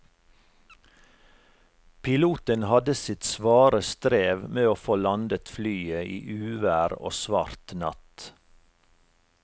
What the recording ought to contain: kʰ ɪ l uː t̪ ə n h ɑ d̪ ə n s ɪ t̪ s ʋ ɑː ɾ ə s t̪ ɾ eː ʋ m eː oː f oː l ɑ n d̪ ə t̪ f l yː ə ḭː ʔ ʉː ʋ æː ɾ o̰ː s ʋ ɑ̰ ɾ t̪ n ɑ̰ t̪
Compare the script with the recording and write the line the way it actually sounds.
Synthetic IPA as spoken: pʰ ɪ l uː t̪ ə n h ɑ d̪ ə s ɪ t̪ s ʋ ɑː ɾ ə s t̪ ɾ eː ʋ m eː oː f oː l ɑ n d̪ ə t̪ f l yː ə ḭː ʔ ʉː ʋ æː ɾ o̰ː s ʋ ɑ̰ ɾ t̪ n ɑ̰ t̪